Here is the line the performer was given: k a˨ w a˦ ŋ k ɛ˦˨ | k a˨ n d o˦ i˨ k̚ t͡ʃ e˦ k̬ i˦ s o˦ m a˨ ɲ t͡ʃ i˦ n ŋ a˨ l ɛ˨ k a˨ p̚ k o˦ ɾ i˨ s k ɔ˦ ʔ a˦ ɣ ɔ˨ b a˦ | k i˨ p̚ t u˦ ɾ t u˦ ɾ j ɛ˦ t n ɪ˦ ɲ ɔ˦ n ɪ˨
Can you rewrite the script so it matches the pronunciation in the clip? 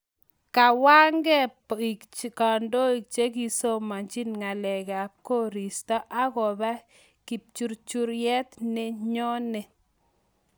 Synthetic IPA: k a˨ w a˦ ŋ ɡ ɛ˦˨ | k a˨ n d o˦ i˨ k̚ t͡ʃ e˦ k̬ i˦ s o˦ m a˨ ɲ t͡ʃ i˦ n ŋ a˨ l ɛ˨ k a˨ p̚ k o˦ ɾ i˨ s t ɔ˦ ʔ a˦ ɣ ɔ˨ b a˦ | k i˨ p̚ t͡ʃ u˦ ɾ t͡ʃ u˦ ɾ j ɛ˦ t n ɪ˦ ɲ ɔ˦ n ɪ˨